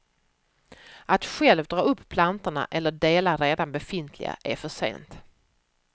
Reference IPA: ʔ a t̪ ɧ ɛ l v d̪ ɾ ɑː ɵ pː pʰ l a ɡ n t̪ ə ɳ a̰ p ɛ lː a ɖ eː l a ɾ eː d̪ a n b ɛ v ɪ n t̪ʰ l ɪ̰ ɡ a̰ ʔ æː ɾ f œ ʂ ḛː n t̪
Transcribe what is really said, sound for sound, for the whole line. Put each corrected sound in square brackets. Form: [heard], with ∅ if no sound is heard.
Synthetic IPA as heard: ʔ a t̪ ɧ ɛ l v d̪ ɾ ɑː ɵ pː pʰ l a [∅] n t̪ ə ɳ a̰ [ʔ] ɛ lː [ə] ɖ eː l a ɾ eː d̪ a n b ɛ [f] ɪ n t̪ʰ l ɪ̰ ɡ a̰ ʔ [æ] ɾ f œ ʂ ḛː n t̪